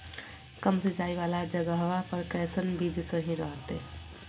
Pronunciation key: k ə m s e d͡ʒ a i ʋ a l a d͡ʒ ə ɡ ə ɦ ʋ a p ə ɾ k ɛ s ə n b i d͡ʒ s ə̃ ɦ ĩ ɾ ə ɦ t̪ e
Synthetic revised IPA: k ə m s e d͡ʒ a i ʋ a l a d͡ʒ ə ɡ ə ɦ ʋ a p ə ɾ k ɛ s ə n b i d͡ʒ s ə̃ ɦ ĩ ɾ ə ɦ t̪ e